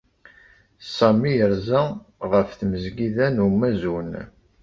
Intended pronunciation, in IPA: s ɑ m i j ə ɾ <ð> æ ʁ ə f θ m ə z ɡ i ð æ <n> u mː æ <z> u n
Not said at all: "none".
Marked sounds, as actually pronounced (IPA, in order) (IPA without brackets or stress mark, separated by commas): z, n, z